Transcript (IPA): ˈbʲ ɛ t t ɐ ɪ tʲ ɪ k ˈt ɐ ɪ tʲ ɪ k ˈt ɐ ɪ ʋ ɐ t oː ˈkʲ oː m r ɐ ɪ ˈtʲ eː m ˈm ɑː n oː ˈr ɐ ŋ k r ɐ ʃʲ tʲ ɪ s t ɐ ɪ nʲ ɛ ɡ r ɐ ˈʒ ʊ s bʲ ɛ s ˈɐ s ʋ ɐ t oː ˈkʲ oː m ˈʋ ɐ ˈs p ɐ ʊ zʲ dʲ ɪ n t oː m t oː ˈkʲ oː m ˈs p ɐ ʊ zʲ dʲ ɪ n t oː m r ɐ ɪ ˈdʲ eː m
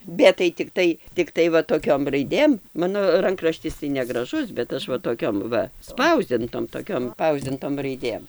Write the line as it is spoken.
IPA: ˈbʲ ɛ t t ɐ ɪ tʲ ɪ k ˈt ɐ ɪ tʲ ɪ k ˈt ɐ ɪ ʋ ɐ t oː ˈkʲ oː m r ɐ ɪ ˈdʲ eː m ˈm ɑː n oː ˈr ɐ ŋ k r ɐ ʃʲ tʲ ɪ s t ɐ ɪ nʲ ɛ ɡ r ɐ ˈʒ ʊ s bʲ ɛ t ˈɐ ʃ ʋ ɐ t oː ˈkʲ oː m ˈʋ ɐ ˈs p ɐ ʊ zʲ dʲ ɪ n t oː m t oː ˈkʲ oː m ˈs p ɐ ʊ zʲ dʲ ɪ n t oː m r ɐ ɪ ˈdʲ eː m